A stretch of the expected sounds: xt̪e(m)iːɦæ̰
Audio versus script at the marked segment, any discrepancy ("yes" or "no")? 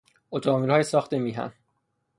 no